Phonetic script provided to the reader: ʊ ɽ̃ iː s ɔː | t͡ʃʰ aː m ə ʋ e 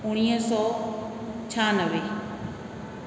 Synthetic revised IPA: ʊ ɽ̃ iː s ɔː | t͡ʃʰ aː n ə ʋ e